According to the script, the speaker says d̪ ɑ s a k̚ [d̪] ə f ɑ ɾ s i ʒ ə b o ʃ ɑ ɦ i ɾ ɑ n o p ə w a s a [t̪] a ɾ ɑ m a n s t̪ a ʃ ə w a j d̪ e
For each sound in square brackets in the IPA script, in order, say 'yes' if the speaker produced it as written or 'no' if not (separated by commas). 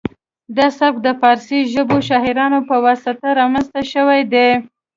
yes, yes